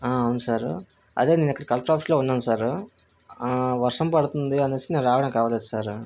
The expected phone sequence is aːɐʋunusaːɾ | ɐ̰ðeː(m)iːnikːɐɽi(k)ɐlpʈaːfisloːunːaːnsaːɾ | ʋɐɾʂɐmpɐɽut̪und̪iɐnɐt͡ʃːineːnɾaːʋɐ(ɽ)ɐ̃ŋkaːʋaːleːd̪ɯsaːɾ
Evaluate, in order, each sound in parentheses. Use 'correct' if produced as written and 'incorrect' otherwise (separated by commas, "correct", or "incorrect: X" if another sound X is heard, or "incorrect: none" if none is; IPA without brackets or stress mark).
incorrect: n, correct, correct